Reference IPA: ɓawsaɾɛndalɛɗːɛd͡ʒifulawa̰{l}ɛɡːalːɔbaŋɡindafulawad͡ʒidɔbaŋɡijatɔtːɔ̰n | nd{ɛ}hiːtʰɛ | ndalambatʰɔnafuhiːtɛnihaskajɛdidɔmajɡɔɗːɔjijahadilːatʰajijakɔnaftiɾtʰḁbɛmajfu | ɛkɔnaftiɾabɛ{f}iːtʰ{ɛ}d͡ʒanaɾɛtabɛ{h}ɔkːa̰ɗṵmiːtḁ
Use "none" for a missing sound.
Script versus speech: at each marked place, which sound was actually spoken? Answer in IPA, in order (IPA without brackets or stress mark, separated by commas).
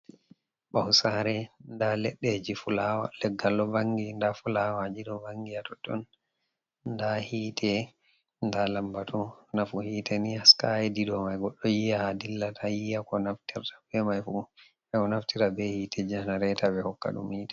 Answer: l, a, h, ɛ, h